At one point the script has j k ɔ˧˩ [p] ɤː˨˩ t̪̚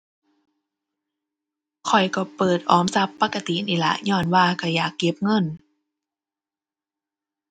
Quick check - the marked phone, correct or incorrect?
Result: correct